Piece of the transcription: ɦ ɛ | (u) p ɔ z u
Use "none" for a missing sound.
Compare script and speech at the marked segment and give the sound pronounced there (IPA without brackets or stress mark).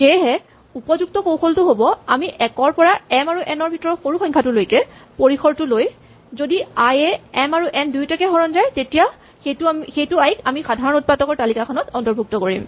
u